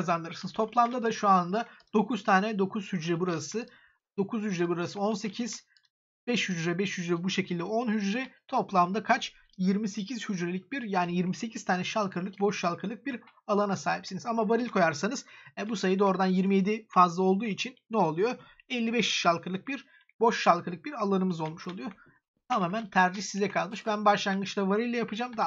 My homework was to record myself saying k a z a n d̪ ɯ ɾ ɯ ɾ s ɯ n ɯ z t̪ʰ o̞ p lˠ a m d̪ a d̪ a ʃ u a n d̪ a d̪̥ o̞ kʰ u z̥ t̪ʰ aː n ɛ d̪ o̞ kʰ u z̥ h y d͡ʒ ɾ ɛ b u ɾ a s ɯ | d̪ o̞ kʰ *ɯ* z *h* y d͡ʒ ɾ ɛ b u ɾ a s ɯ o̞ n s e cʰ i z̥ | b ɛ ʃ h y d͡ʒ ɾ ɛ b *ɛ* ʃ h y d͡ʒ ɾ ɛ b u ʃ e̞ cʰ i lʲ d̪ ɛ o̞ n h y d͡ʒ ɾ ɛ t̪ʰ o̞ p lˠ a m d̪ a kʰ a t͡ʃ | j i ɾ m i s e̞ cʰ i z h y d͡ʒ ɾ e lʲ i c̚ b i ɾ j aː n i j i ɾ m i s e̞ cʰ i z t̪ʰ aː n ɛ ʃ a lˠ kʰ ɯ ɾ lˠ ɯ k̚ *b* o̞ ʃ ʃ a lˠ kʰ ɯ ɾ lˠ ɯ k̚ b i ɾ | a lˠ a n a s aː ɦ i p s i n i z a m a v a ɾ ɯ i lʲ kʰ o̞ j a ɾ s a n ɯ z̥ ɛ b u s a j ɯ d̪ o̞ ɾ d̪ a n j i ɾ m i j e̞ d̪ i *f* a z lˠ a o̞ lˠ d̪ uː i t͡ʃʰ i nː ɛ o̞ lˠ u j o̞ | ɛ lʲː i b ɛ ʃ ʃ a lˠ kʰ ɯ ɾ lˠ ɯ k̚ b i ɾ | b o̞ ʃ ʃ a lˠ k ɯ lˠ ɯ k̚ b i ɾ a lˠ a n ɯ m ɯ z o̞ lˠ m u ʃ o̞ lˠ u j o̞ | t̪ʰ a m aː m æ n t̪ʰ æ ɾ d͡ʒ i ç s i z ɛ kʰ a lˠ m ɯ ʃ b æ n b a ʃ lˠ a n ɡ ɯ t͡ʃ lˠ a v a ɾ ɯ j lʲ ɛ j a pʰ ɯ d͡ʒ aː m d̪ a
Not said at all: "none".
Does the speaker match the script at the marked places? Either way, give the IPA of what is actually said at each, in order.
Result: u, h, ɛ, b, f

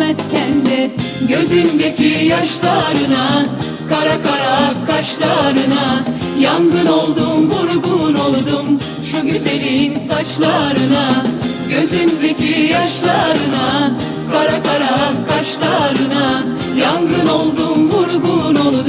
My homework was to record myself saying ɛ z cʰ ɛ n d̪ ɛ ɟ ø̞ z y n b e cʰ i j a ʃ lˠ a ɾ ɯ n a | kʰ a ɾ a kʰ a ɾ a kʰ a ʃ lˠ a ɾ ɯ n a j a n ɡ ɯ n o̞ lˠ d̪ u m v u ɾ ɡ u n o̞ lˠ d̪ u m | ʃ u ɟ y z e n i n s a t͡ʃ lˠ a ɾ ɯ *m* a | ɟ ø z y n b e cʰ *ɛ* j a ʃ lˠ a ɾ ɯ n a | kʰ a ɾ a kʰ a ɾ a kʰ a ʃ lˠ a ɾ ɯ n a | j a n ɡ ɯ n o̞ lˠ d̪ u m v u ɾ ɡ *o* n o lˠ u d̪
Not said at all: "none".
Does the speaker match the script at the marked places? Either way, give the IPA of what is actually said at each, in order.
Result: n, i, u

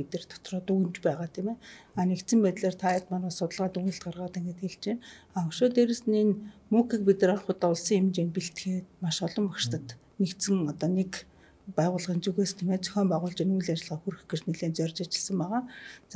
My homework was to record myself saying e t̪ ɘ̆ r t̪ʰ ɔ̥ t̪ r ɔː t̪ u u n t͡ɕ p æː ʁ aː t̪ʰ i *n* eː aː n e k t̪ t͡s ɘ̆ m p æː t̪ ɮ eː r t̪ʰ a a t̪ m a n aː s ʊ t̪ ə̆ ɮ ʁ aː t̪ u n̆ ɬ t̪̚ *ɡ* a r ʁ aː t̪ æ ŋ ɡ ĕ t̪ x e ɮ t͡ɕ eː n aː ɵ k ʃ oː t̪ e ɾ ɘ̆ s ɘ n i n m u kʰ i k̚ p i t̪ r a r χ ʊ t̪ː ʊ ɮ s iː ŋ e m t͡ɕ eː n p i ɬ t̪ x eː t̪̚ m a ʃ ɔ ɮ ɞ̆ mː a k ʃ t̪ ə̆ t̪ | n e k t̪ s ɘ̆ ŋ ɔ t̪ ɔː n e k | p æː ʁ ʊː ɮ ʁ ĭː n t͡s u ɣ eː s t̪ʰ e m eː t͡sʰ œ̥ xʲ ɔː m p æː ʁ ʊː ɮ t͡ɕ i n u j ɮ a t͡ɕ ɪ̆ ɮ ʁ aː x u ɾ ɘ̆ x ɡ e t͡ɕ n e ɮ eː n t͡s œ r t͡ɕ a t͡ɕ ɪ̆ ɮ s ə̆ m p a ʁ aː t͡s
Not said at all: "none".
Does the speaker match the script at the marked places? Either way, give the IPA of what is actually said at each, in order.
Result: m, ɢ

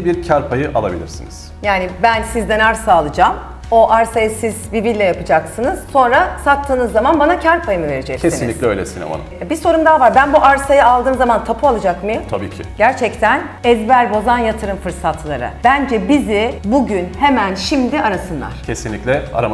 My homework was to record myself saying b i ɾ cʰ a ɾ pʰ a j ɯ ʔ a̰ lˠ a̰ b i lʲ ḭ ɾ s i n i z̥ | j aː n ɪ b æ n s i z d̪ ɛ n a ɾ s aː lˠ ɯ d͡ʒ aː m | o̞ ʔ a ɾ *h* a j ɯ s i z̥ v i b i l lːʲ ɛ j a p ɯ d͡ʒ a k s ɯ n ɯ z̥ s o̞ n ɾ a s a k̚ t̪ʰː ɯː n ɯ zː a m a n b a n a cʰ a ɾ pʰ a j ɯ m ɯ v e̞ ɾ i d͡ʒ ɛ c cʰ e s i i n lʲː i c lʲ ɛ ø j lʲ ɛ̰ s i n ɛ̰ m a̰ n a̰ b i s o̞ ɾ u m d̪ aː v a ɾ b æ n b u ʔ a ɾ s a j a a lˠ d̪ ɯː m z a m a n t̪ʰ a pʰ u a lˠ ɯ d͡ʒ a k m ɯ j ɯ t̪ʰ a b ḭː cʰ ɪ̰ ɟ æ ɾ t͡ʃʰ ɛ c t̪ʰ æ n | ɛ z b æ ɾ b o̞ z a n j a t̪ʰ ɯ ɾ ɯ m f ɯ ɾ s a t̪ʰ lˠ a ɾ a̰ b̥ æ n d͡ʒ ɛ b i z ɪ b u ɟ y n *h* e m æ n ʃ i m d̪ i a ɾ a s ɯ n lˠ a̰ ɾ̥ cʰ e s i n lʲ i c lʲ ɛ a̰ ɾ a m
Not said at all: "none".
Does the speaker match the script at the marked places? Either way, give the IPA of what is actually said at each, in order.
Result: s, h

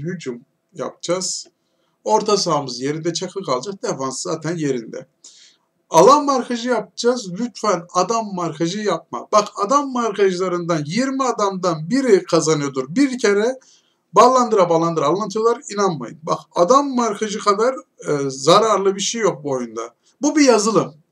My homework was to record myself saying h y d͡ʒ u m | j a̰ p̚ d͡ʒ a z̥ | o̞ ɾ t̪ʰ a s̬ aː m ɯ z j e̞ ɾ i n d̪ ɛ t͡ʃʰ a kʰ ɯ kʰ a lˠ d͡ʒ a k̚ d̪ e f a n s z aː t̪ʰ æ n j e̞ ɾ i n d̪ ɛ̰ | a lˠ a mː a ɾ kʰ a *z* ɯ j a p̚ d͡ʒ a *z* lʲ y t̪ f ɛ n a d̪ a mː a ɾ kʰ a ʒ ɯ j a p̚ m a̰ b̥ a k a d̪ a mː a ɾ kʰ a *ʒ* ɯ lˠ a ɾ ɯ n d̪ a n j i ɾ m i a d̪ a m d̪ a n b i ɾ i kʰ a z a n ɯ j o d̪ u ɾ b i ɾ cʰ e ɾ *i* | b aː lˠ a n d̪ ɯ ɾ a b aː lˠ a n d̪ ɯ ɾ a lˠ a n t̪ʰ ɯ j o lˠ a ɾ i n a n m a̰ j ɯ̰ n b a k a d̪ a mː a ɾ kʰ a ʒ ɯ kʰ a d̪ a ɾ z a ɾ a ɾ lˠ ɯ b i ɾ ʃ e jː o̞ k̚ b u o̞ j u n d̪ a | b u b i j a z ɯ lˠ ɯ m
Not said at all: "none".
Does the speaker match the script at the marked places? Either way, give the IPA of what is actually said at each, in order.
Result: ʒ, z, ʒ, ɛ

